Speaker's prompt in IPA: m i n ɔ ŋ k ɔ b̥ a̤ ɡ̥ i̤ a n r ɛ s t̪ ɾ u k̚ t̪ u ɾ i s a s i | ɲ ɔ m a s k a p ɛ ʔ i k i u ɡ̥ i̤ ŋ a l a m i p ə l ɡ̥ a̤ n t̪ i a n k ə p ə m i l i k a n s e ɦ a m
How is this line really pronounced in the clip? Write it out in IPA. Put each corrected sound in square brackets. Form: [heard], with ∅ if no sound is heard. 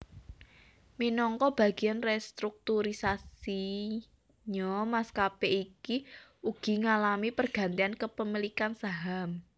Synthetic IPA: m i n ɔ ŋ k ɔ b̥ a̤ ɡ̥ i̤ a n r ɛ s t̪ ɾ u k̚ t̪ u ɾ i s a s i | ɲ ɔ m a s k a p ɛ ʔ i k i u ɡ̥ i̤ ŋ a l a m i p ə [r] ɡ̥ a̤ n t̪ i a n k ə p ə m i l i k a n s [a] ɦ a m